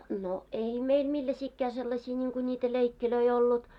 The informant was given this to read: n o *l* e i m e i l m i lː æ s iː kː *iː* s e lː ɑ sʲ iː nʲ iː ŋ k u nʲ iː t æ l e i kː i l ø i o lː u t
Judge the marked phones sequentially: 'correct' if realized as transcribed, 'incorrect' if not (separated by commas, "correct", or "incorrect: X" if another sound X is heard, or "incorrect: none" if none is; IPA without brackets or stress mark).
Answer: incorrect: none, incorrect: æː